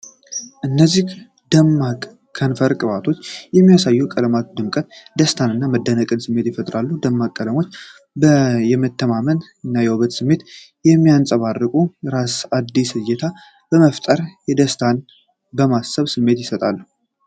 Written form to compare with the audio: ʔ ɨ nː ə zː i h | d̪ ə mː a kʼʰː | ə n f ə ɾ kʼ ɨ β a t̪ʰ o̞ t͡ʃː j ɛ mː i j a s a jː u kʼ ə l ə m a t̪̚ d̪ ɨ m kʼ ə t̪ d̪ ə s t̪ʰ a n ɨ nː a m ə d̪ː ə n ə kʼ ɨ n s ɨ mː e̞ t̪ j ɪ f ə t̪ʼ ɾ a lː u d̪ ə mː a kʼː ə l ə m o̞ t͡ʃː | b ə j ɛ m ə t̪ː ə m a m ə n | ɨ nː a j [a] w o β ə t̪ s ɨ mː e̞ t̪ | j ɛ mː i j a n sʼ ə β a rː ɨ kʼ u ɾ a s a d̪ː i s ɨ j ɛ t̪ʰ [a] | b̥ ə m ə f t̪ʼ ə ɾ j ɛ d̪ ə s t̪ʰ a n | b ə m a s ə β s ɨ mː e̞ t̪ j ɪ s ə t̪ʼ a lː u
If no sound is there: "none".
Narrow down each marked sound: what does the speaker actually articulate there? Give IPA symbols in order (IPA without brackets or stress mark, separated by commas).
ɛ, a